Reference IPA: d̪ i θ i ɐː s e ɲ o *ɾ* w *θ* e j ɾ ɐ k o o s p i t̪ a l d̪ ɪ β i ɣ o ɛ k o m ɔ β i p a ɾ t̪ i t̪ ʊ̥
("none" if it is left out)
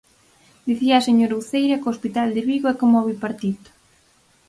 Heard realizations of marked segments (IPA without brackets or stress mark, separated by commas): ɾ, θ